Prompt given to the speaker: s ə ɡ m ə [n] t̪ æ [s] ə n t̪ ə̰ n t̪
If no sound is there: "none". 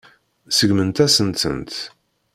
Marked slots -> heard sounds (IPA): n, s

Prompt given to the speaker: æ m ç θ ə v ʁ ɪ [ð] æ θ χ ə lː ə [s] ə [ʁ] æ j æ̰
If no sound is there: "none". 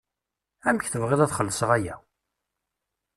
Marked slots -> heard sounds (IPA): ð, s, ʁ

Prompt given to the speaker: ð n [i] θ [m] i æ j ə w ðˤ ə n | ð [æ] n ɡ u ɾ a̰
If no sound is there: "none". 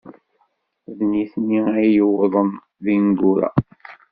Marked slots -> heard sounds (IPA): i, n, i

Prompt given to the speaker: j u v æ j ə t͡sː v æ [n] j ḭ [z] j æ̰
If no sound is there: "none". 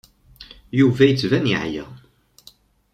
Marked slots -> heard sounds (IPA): n, ʕ

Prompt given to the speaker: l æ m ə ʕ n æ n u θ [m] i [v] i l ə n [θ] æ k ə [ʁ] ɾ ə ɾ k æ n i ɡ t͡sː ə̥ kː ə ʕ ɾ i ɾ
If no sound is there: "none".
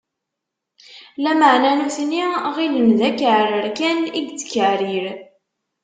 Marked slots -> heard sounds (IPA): n, ʁ, ð, ʕ

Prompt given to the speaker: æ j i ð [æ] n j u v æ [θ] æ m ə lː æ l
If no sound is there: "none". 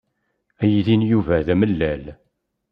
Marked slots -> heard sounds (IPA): i, ð

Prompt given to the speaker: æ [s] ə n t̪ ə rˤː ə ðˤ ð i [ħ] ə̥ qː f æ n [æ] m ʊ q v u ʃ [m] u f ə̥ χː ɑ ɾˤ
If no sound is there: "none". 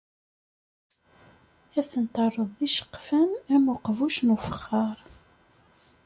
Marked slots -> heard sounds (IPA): θ, ʃ, æ, n

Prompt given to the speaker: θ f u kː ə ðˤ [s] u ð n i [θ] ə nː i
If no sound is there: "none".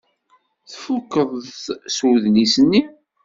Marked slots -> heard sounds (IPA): s, s

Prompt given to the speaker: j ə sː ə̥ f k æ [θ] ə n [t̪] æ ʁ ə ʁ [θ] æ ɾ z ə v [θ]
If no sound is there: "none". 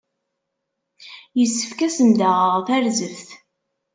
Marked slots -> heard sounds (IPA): s, d̪, θ, θ

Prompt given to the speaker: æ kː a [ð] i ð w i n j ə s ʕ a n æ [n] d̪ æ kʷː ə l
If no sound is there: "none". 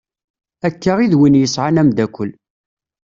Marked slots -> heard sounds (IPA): ʁ, m

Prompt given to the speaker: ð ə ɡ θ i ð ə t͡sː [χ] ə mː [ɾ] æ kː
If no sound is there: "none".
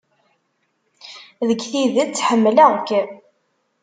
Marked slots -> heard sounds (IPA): ħ, l

